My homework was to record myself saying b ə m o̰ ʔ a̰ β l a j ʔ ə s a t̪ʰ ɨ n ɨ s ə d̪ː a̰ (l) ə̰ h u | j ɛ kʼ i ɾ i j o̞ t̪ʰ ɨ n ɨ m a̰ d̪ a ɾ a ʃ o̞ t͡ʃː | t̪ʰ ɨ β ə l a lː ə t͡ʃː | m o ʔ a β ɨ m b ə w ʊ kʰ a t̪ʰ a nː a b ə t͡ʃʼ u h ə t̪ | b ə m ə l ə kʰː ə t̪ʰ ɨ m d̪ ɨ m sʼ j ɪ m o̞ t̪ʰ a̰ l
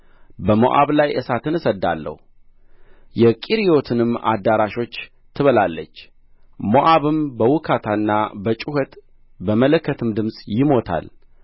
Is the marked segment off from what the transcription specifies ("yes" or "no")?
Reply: yes